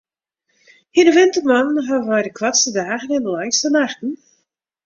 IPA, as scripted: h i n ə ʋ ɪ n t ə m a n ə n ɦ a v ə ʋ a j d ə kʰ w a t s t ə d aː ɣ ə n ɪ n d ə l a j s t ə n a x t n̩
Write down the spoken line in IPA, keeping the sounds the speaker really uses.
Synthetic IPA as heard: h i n ə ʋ ɪ n t ə m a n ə n ɦ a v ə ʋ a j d ə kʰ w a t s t ə d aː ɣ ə n ɪ n d ə l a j s t ə n a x t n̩